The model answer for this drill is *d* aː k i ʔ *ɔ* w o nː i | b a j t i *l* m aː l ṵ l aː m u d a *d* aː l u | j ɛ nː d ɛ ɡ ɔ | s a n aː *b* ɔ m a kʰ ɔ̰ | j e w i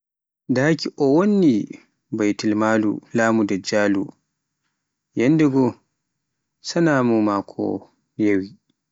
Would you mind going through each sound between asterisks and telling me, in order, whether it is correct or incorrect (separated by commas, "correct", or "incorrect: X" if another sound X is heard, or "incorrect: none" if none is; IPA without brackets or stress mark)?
correct, correct, correct, incorrect: d͡ʒ, incorrect: m